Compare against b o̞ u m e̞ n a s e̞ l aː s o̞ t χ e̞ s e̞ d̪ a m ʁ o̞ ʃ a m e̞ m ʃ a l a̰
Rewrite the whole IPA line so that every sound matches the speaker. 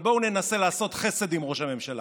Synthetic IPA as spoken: b o̞ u n e̞ n a s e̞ l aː s o̞ t χ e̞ s e̞ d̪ i m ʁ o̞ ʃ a m e̞ m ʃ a l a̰